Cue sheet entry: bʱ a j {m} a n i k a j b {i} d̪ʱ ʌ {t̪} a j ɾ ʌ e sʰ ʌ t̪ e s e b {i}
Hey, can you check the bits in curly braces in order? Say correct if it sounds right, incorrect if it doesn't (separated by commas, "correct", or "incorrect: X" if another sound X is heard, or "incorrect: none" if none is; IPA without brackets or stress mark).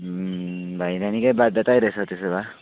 incorrect: n, incorrect: a, correct, incorrect: a